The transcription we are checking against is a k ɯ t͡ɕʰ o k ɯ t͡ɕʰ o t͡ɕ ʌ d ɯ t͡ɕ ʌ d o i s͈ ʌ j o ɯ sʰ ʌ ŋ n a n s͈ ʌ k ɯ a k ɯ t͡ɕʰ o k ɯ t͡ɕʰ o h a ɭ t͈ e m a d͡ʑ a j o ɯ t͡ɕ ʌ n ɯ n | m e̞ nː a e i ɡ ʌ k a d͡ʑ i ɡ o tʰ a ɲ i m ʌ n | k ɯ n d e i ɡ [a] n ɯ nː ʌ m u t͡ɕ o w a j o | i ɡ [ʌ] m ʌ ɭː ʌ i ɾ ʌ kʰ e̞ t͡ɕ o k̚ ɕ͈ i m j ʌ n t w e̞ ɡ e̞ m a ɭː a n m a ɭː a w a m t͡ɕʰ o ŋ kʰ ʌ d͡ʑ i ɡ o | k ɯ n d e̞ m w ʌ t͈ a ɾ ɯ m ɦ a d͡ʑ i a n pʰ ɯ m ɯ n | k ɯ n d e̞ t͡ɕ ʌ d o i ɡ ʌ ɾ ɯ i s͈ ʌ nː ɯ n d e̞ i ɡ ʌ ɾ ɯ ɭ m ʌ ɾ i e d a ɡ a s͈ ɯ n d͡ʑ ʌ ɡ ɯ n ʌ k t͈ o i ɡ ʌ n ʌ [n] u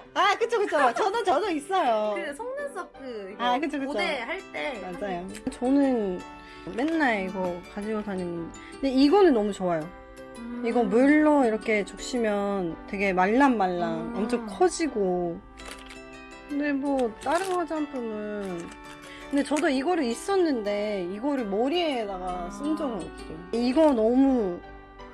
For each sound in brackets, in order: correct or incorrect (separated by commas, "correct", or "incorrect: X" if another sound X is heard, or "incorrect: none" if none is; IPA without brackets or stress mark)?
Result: incorrect: ʌ, correct, incorrect: m